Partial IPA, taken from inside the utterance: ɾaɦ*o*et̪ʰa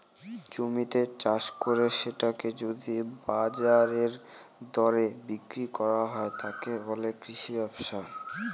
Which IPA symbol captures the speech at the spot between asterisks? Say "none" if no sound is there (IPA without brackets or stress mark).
ɔ